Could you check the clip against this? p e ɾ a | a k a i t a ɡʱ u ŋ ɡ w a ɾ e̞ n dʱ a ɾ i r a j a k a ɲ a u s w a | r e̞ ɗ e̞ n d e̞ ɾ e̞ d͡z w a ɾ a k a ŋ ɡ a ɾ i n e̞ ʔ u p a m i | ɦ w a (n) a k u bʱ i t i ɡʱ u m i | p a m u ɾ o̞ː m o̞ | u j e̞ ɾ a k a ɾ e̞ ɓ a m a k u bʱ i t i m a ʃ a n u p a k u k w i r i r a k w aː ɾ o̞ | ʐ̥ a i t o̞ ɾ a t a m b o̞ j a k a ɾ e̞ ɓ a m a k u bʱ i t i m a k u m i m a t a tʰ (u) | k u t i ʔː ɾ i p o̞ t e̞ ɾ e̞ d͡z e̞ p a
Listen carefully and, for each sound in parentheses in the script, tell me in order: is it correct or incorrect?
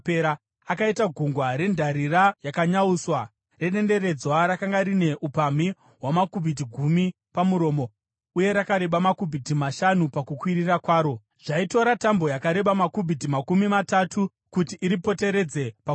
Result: incorrect, correct

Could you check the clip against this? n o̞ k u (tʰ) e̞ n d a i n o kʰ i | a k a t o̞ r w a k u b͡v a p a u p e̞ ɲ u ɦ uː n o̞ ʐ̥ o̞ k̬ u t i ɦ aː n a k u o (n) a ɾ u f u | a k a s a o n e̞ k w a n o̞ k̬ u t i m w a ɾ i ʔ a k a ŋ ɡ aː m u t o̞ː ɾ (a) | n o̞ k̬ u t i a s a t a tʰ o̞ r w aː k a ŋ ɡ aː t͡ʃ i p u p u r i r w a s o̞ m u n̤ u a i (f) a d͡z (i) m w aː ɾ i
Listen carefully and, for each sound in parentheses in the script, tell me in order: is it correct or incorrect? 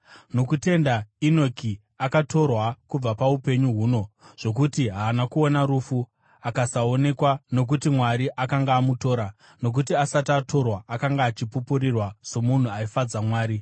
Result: incorrect, correct, correct, correct, incorrect

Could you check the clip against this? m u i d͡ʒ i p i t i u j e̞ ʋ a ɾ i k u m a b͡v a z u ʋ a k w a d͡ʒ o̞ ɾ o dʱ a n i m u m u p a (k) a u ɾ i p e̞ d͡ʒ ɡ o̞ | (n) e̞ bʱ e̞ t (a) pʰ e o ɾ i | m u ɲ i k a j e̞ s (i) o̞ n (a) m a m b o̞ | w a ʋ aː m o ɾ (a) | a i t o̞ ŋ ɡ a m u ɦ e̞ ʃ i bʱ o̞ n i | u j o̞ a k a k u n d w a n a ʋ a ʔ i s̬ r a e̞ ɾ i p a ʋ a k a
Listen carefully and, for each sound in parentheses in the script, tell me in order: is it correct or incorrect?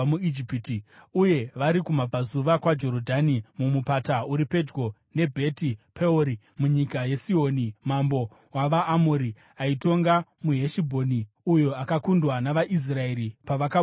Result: incorrect, correct, incorrect, correct, incorrect, incorrect

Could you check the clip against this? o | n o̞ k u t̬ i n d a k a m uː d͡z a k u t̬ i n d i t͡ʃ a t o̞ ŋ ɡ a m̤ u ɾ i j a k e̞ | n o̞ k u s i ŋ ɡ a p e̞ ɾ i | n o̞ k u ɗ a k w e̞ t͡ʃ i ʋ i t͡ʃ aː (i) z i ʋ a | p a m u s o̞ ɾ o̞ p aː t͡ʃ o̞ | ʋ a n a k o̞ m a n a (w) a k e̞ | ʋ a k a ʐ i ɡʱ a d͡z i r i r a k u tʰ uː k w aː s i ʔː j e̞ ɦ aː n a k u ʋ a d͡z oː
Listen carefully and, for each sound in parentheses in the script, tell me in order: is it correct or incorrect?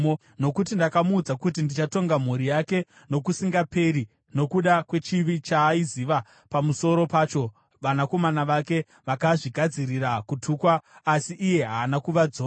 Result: correct, incorrect

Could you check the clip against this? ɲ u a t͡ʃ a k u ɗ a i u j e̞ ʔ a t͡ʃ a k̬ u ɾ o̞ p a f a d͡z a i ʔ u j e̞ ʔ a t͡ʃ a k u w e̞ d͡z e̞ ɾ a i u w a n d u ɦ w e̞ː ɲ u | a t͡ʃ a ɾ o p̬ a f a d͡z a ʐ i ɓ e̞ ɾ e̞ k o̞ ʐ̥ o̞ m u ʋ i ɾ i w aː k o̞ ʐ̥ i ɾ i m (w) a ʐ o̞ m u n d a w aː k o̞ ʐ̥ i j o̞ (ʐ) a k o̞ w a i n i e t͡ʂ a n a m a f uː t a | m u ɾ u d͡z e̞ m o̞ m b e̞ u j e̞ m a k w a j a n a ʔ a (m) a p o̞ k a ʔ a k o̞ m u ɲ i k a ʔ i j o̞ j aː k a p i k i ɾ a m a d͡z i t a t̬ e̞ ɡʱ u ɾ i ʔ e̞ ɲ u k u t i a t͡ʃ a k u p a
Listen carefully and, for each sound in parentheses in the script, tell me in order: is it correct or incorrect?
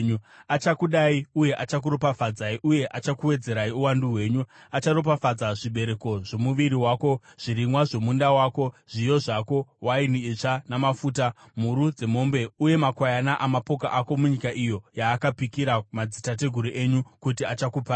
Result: correct, correct, correct

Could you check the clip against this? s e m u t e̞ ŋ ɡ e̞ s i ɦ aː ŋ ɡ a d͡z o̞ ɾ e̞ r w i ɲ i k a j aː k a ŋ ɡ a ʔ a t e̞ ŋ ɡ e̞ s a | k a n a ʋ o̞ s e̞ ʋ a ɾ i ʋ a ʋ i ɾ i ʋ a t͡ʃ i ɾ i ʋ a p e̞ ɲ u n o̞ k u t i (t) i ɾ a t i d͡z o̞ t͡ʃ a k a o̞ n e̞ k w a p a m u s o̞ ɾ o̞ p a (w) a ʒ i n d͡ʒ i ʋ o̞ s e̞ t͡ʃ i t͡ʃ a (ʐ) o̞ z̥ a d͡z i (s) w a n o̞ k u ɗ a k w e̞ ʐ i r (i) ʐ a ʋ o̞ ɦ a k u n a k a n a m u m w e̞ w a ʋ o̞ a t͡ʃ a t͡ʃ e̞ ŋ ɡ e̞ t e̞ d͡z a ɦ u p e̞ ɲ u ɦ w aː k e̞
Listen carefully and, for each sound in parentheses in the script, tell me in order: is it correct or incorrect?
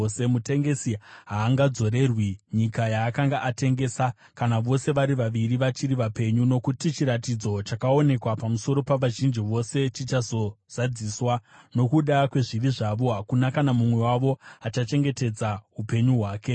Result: incorrect, incorrect, incorrect, correct, correct

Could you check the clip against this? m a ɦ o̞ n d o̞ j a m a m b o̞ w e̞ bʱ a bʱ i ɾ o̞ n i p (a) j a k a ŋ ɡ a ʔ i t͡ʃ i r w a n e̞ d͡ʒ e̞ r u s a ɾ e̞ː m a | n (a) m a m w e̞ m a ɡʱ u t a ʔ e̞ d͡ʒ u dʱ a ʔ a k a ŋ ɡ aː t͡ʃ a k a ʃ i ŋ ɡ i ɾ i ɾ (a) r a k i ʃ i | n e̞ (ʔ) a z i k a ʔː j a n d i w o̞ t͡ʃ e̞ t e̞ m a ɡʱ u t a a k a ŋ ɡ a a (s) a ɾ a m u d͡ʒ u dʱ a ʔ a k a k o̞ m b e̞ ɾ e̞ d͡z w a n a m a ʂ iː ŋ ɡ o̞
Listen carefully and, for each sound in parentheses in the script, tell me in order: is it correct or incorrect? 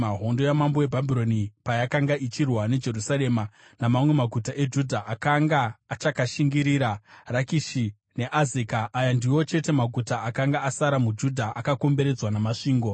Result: correct, correct, correct, correct, correct

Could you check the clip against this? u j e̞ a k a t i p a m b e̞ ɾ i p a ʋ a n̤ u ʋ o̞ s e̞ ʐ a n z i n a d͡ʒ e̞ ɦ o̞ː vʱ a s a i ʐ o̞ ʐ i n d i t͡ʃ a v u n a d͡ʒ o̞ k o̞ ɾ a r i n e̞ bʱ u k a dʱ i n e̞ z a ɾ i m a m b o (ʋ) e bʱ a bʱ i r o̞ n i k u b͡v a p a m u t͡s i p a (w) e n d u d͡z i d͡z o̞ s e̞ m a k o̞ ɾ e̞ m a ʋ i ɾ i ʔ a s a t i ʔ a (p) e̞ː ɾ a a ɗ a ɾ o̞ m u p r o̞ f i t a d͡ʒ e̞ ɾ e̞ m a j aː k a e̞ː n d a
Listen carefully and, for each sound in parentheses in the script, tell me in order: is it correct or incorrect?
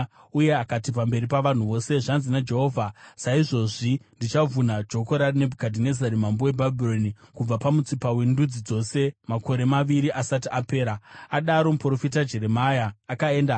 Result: incorrect, correct, correct

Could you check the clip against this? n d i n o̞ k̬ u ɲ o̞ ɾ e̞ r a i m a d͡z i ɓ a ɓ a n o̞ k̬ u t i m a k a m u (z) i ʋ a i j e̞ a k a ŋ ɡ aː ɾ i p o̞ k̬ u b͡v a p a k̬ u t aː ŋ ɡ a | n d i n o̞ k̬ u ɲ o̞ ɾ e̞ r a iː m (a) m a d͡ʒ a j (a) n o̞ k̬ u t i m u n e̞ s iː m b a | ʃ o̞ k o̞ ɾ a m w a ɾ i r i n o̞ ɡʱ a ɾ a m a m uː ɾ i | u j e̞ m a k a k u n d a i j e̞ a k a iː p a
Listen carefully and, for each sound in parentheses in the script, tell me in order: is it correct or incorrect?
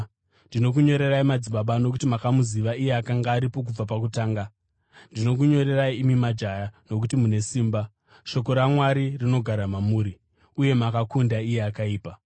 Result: correct, incorrect, correct

